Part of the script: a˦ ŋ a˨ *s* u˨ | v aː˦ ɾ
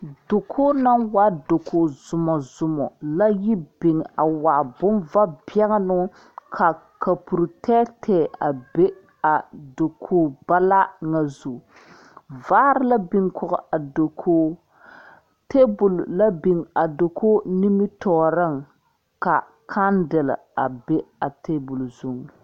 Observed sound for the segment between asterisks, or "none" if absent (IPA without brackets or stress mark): z